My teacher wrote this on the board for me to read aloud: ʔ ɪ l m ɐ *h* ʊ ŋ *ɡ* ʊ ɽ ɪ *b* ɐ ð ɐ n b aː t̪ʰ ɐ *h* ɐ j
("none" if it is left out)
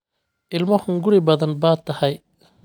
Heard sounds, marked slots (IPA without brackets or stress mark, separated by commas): h, ɡ, b, h